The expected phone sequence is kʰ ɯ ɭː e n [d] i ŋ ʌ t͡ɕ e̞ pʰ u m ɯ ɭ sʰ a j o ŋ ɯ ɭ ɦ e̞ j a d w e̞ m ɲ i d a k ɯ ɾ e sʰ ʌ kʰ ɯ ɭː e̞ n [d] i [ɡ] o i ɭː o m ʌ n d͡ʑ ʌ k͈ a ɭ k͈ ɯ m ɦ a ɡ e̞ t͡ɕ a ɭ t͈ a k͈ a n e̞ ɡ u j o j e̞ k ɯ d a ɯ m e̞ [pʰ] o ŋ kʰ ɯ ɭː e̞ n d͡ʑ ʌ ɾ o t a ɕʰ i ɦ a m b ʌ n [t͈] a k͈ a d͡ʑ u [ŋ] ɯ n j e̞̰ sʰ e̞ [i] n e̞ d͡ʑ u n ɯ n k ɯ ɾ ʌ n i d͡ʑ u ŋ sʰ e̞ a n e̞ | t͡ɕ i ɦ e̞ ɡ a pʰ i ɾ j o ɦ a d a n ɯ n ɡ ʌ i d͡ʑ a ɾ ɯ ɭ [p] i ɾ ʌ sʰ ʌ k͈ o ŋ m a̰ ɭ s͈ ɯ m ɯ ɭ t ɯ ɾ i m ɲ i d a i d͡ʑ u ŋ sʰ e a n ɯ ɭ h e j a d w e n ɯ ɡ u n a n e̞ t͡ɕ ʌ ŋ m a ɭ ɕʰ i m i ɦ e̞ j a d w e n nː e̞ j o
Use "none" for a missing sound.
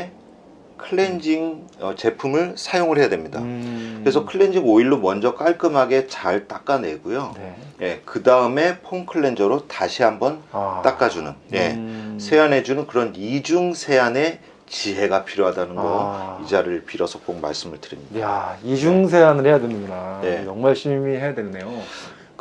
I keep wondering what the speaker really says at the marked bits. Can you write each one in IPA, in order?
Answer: d͡ʑ, d͡ʑ, ŋ, pʰ, t͈, n, a, p

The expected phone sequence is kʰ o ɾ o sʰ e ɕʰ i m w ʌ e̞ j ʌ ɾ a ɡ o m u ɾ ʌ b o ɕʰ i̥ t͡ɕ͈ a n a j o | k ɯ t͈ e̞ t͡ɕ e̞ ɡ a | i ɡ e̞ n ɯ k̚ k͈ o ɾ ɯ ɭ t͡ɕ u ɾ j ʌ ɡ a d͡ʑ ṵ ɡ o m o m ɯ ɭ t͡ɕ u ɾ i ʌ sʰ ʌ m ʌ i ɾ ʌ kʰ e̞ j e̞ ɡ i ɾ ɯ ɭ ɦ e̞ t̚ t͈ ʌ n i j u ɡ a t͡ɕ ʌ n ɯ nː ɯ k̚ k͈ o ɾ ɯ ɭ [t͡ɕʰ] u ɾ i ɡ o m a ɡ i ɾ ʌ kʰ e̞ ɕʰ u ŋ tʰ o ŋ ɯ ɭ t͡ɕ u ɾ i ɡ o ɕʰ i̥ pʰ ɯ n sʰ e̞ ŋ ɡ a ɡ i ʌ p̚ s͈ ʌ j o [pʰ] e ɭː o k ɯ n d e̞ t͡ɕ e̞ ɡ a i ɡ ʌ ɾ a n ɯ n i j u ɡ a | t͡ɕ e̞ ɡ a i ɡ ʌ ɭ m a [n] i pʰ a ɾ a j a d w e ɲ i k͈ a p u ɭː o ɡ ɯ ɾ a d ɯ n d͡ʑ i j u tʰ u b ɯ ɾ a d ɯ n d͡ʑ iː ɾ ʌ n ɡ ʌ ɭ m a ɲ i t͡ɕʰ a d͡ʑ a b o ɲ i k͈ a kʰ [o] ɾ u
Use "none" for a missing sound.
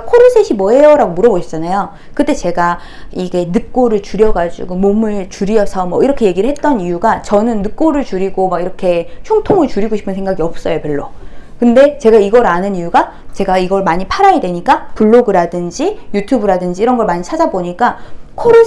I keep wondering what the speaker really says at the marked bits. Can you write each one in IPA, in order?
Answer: t͡ɕ, p, ɲ, o

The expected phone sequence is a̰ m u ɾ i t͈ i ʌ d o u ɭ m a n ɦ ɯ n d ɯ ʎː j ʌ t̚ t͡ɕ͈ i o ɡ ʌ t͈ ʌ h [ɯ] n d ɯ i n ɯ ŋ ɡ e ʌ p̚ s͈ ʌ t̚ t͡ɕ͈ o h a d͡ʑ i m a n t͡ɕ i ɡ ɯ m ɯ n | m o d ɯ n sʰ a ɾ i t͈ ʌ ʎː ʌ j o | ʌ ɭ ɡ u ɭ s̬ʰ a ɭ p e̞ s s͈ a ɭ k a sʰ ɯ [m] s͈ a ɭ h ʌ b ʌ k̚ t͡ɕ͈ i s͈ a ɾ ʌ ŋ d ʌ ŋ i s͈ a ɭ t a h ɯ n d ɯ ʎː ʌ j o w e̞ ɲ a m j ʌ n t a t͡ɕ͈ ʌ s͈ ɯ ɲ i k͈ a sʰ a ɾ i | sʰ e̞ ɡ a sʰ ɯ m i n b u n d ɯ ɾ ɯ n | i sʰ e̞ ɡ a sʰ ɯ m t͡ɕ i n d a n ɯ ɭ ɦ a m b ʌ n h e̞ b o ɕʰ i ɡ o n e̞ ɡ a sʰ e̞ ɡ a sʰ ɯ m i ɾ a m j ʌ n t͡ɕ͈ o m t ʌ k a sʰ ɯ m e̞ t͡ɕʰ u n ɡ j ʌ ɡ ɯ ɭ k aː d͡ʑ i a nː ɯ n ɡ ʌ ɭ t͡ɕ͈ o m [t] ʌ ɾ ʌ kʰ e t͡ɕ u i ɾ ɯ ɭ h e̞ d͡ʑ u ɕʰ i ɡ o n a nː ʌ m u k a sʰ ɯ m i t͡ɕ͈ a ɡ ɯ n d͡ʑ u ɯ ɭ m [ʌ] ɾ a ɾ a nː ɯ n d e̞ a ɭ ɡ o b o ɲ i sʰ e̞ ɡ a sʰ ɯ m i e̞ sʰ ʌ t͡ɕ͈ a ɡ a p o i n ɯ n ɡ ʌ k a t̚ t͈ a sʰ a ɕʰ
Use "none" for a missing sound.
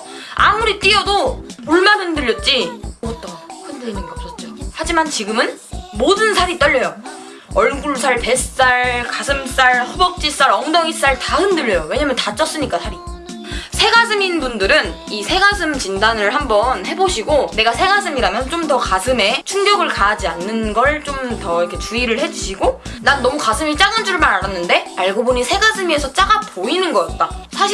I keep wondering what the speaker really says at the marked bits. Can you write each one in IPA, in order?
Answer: ɯ, m, t, a

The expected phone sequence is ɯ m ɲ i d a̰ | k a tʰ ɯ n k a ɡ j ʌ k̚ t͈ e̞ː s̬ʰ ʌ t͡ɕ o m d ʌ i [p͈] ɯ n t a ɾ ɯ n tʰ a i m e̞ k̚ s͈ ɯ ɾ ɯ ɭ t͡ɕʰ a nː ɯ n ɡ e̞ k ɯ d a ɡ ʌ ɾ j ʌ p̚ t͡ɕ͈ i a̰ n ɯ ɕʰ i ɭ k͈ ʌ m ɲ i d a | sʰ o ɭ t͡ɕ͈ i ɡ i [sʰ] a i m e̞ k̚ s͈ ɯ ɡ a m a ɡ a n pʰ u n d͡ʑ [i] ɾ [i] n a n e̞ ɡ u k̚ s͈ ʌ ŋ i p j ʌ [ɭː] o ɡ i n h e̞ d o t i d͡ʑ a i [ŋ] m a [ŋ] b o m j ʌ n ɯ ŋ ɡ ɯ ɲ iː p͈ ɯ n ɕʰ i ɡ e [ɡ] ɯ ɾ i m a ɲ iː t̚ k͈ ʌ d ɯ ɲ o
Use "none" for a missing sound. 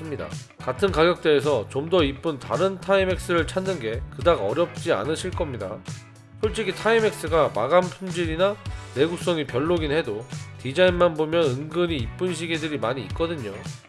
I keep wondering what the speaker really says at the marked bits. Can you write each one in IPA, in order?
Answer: p͈, tʰ, i, i, ɭː, n, n, d

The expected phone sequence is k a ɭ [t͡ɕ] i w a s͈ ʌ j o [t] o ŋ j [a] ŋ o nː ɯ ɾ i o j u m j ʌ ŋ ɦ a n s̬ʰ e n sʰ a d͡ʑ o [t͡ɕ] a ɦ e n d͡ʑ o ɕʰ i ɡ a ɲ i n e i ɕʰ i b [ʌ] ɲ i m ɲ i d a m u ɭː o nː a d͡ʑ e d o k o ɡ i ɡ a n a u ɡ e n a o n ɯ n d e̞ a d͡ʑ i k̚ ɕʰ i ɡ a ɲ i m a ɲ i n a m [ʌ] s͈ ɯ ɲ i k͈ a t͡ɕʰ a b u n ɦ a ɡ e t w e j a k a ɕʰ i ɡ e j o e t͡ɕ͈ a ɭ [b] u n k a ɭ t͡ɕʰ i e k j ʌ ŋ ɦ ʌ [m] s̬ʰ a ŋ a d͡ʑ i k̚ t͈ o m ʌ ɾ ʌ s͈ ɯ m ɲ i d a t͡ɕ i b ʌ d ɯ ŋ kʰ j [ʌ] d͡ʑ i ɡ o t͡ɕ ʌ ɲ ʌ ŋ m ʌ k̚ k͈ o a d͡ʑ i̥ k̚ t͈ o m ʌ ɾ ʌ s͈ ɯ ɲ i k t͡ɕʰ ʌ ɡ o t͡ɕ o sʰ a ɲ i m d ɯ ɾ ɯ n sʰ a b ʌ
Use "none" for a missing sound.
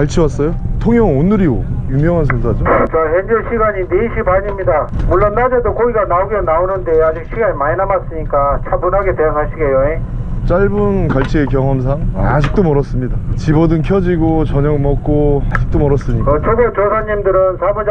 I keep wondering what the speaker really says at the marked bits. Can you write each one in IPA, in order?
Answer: t͡ɕʰ, tʰ, ʌ, t͡ɕ, a, a, b, m, ʌ

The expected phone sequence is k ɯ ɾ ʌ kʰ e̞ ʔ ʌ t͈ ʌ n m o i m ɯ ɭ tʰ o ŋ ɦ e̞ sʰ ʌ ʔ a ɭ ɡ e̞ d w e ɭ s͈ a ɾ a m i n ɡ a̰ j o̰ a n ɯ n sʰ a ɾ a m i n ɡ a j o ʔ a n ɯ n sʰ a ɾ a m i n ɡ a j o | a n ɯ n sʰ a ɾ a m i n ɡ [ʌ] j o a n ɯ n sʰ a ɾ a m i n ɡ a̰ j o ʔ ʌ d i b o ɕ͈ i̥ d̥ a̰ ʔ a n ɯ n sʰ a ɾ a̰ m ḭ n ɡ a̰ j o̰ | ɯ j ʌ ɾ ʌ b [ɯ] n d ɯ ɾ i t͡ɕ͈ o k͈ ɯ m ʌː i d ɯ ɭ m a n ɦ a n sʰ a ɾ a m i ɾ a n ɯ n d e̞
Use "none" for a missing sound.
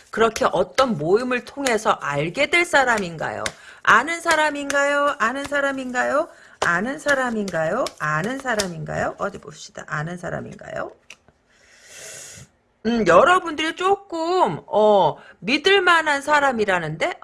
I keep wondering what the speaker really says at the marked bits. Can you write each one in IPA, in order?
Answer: a, u

